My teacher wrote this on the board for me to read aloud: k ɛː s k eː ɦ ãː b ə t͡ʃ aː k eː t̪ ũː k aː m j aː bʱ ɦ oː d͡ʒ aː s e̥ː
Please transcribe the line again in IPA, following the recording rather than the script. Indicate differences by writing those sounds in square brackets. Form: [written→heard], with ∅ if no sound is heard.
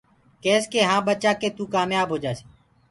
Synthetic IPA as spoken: k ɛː s k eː ɦ ãː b ə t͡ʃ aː k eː t̪ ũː k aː m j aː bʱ ɦ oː d͡ʒ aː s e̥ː